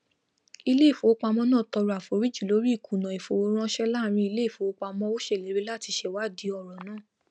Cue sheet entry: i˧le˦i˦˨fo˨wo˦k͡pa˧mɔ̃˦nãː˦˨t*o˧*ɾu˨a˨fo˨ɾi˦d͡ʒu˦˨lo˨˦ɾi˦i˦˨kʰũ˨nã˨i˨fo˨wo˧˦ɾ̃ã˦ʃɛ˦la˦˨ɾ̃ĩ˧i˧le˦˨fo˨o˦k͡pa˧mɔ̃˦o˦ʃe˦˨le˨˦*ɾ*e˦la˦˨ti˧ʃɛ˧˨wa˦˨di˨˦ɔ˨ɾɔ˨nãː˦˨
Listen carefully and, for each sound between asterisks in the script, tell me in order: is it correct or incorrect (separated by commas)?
incorrect, correct